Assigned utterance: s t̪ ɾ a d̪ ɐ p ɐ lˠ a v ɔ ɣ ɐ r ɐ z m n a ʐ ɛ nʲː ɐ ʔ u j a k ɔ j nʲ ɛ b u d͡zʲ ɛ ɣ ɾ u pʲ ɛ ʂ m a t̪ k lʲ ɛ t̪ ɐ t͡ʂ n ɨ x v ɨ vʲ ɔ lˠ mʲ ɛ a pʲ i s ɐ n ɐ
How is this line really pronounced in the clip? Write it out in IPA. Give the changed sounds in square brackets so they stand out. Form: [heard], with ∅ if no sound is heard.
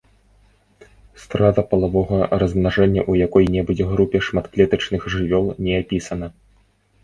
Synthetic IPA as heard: s t̪ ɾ a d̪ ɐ p ɐ lˠ a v ɔ ɣ ɐ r ɐ z m n a ʐ ɛ nʲː ɐ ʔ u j a k ɔ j nʲ ɛ b u d͡zʲ ɛ ɣ ɾ u pʲ ɛ ʂ m a t̪ k lʲ ɛ t̪ ɐ t͡ʂ n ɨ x [ʐ] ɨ vʲ ɔ lˠ [nʲ] ɛ a pʲ i s ɐ n ɐ